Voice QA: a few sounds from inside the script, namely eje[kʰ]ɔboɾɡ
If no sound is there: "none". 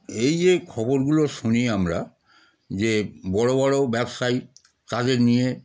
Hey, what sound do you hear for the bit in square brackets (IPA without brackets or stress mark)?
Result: kʰ